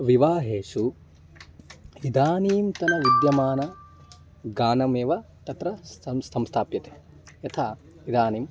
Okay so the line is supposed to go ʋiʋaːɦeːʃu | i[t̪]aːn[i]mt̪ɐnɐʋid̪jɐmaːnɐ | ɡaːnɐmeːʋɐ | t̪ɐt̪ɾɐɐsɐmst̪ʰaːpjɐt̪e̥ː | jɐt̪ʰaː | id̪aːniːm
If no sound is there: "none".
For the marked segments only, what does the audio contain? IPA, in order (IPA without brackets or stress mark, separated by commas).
d̪, iː